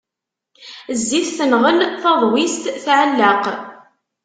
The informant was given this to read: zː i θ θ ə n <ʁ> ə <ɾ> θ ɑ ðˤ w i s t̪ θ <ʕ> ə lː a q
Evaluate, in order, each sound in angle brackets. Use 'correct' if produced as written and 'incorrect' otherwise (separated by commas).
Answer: correct, incorrect, correct